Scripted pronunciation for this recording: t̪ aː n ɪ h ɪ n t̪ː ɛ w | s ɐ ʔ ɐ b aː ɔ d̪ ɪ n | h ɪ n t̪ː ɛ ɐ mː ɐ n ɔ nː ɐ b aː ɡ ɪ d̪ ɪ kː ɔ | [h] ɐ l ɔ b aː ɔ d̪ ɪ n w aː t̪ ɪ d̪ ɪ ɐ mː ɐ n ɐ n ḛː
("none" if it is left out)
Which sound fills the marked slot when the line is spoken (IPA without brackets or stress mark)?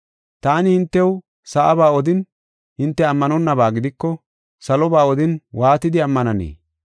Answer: s